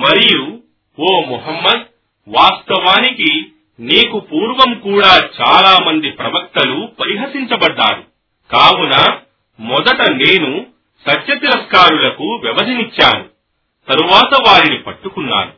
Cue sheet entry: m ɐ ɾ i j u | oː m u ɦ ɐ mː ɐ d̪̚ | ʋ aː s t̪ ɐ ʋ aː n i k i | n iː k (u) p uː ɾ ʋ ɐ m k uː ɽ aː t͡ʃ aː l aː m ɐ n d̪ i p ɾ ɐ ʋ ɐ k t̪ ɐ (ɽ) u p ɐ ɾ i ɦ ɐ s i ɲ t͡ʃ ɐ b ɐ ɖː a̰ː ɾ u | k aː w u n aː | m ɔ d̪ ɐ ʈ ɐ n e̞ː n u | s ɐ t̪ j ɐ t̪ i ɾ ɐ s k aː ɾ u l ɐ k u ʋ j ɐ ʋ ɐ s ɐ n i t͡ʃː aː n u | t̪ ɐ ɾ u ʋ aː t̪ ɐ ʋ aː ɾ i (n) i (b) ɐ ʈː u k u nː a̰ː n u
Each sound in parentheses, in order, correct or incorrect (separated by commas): correct, incorrect, correct, incorrect